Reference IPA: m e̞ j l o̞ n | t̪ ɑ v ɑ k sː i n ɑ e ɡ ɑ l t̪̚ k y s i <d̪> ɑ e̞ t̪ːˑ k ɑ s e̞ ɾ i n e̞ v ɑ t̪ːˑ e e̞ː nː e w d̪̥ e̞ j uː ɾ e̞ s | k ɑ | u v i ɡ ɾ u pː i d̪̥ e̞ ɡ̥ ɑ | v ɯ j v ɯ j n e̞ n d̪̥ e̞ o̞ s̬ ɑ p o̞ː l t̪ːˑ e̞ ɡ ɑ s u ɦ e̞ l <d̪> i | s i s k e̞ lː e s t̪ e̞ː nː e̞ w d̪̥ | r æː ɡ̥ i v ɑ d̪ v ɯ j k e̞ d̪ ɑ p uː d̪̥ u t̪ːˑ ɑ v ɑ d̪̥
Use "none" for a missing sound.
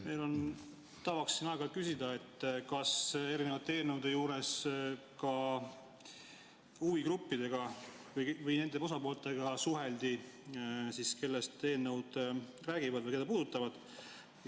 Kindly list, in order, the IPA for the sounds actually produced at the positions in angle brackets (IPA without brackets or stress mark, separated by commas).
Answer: d̪, d̪